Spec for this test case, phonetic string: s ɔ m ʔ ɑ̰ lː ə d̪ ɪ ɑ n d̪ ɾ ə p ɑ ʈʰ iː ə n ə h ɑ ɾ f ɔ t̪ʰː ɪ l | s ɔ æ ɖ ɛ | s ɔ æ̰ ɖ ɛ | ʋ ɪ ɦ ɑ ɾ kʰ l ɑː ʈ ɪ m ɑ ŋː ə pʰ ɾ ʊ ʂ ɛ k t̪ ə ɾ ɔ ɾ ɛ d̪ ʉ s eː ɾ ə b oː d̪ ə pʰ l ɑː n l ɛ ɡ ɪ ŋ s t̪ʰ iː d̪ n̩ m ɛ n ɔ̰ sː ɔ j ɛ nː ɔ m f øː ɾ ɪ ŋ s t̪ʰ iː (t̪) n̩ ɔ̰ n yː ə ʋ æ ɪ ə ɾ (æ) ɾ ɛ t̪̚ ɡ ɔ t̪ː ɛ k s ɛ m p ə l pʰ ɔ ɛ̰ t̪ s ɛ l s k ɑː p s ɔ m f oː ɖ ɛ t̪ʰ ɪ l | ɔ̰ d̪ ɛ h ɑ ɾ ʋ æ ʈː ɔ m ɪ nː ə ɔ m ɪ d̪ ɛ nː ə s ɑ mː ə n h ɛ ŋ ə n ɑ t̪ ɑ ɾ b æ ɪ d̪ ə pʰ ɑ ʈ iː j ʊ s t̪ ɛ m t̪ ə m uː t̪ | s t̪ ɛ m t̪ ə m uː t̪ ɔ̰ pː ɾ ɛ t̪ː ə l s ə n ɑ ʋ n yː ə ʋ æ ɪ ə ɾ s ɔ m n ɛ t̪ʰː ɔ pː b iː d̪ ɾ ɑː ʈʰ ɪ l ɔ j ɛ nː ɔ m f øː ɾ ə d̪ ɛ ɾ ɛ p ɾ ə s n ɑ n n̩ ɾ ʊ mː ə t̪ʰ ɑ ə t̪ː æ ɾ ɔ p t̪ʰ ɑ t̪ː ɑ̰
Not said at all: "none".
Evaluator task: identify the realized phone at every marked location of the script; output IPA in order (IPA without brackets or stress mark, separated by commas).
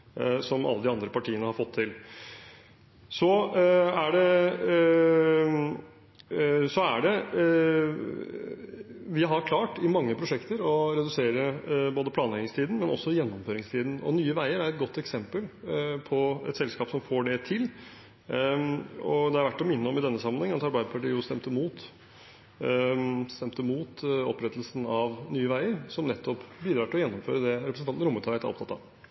d̪, æ